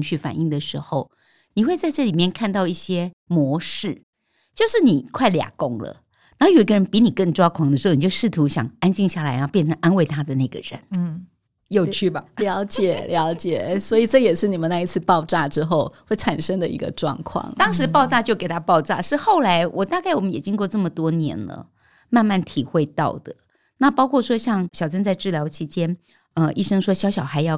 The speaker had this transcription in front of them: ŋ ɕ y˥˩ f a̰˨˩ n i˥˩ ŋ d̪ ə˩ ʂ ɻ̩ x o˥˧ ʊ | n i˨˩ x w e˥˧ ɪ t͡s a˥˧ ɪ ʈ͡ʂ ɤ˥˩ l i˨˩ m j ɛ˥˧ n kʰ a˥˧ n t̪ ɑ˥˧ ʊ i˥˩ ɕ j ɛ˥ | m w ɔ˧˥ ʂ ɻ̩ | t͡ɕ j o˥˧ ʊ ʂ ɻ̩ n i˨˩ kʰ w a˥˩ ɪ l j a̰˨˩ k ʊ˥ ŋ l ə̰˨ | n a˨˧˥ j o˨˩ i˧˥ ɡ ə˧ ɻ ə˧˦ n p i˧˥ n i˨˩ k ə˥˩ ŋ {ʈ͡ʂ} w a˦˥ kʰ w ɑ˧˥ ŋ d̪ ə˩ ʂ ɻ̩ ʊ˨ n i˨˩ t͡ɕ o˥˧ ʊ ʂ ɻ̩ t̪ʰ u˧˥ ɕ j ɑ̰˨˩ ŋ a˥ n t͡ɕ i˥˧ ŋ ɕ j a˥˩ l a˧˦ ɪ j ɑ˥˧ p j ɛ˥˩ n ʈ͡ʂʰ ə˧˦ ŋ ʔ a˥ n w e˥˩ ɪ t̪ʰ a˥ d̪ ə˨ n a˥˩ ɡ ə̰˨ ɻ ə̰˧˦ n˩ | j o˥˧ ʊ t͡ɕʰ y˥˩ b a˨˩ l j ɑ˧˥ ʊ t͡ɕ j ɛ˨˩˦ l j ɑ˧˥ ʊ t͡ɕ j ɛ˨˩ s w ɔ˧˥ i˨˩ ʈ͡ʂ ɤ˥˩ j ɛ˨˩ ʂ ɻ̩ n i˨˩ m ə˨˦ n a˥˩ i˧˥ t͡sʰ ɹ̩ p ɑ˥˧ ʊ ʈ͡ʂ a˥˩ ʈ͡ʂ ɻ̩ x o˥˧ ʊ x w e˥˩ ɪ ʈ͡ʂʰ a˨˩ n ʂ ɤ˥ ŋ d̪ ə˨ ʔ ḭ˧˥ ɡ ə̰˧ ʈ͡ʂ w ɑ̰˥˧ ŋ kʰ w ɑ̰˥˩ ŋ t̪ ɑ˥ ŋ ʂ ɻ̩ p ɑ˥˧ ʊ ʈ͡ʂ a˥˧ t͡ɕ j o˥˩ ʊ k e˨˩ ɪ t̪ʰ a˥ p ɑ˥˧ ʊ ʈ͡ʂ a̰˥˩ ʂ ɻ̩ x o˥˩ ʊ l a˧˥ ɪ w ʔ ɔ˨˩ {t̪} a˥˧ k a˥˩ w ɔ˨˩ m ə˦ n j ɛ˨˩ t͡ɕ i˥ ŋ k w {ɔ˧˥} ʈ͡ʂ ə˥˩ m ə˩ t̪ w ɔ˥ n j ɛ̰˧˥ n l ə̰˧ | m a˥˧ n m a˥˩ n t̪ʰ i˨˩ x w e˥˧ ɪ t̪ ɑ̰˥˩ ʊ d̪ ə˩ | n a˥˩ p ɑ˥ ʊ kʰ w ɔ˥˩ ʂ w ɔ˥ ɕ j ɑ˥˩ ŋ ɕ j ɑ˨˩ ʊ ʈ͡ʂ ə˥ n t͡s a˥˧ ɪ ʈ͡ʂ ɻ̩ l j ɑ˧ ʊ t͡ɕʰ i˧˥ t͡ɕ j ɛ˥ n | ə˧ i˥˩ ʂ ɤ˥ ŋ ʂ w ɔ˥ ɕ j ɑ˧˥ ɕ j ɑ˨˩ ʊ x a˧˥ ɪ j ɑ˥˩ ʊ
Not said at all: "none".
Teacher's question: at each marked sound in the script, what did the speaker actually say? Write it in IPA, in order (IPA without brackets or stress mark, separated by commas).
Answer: ʈ͡ʂ, t̪, ɔ˥˧